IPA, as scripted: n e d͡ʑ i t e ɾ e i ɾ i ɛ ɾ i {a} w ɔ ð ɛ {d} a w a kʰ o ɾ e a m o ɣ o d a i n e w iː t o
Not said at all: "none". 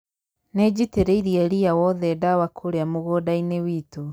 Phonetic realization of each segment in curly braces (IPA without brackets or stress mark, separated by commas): a, d